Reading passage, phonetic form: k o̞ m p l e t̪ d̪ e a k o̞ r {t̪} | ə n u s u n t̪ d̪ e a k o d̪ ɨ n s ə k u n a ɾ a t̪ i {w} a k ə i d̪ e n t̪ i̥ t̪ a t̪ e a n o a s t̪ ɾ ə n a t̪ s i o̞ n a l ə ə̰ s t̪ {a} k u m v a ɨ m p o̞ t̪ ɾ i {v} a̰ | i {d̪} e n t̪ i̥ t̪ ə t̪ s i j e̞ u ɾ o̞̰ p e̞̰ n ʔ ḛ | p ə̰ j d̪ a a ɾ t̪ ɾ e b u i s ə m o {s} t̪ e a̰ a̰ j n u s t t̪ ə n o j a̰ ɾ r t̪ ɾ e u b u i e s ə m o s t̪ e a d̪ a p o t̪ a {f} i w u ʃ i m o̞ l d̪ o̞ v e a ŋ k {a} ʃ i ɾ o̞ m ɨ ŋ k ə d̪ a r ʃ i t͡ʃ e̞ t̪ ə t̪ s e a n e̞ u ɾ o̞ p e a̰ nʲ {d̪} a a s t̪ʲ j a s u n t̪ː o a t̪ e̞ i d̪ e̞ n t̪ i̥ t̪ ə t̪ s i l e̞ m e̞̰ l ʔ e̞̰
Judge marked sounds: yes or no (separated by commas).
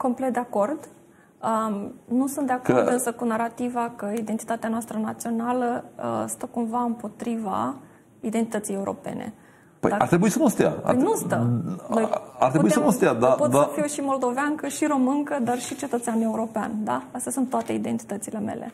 no, no, no, yes, yes, yes, yes, no, yes